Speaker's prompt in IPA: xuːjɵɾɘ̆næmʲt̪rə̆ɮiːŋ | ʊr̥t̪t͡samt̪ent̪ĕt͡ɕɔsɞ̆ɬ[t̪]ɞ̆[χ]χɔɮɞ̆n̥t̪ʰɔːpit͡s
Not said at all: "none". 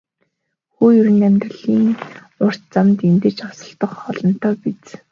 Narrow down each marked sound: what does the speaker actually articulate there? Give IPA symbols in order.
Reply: t̪, χ

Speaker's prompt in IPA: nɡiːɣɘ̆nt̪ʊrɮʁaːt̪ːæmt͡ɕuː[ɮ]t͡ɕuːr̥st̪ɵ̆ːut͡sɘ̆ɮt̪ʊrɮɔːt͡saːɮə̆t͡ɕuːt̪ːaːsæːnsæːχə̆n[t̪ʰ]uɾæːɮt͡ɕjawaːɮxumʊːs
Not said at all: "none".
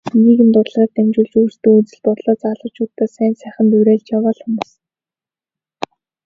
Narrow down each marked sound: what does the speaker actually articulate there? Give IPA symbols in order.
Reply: ɮ, t̪

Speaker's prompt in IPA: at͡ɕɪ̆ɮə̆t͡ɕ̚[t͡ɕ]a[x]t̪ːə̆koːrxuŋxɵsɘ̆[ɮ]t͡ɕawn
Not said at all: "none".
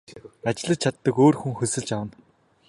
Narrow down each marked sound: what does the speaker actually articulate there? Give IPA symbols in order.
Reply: t͡ɕʰ, none, ɮ

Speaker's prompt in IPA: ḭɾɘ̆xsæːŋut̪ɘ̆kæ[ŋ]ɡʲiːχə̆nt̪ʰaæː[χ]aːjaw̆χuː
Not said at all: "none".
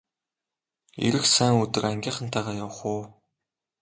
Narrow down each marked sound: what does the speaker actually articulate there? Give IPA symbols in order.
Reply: ŋ, ʁ

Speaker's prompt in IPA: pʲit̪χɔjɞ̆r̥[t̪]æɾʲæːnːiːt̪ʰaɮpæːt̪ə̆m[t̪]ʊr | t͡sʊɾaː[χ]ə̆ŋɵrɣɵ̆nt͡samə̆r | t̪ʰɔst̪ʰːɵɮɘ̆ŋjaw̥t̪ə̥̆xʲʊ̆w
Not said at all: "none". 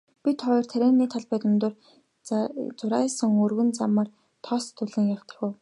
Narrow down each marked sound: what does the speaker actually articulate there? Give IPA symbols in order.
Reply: t̪ʰ, t̪, s

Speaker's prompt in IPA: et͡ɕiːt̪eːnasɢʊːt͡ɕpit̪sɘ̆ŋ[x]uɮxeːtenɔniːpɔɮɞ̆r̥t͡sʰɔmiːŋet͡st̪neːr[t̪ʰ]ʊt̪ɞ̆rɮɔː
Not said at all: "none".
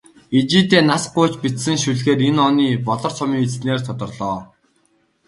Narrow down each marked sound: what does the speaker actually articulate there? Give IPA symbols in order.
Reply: ʃ, t̪ʰ

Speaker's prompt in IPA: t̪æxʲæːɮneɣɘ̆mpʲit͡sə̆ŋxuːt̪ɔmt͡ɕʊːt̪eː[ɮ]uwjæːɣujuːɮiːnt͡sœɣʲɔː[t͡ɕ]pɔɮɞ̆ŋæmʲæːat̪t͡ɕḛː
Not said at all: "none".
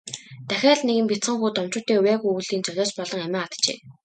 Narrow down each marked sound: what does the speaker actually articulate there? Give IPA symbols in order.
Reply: none, t͡ɕ

